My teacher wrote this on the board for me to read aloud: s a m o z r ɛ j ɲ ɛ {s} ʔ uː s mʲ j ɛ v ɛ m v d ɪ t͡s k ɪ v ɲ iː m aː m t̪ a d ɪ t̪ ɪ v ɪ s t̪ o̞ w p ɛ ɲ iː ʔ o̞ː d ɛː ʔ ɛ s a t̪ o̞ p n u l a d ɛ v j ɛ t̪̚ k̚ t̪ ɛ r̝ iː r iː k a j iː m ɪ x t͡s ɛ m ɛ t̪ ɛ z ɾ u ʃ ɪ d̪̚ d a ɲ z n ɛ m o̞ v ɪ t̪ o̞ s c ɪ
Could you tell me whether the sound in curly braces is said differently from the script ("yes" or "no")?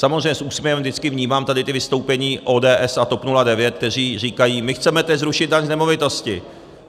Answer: no